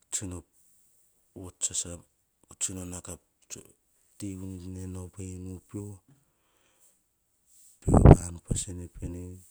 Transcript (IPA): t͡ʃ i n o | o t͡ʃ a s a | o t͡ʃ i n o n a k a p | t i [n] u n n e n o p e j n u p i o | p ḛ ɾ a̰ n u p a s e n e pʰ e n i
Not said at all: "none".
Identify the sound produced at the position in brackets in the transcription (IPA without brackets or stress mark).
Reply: none